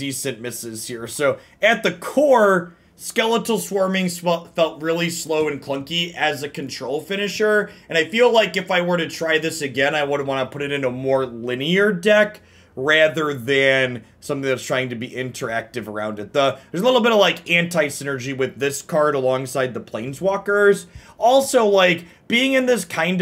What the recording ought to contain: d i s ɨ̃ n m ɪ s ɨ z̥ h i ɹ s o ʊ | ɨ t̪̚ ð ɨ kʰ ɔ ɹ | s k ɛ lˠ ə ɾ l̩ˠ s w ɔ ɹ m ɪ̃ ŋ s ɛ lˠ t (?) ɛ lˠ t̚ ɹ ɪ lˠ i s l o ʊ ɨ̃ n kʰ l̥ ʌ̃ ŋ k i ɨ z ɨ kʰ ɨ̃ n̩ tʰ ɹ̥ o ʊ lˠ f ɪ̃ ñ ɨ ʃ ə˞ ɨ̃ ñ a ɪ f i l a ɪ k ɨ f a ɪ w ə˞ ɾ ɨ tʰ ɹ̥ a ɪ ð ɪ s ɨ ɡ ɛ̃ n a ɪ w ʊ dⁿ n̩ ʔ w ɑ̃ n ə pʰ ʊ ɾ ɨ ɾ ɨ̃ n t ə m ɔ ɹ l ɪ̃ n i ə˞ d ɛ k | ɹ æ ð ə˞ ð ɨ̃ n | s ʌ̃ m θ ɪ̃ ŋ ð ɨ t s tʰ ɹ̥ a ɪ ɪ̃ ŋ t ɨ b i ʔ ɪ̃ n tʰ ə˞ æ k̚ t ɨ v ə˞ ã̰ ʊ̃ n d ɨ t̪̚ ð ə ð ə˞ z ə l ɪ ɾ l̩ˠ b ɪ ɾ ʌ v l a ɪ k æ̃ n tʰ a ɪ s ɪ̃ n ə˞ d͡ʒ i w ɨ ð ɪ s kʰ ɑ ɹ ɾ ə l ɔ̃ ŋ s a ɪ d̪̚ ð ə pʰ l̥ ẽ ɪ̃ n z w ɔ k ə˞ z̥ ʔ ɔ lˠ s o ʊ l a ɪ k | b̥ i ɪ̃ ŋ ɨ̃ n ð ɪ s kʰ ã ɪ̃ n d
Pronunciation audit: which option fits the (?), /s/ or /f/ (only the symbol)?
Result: f